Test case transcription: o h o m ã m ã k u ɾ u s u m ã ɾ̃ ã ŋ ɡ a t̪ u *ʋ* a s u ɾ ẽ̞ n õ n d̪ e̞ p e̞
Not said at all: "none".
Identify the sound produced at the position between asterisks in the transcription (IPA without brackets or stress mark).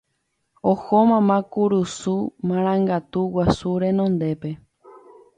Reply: w